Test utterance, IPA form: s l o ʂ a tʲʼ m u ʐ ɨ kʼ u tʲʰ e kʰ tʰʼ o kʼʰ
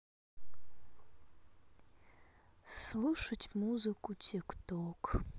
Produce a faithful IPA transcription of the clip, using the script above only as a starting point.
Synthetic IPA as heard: s l u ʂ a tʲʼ m u z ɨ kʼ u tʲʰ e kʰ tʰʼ o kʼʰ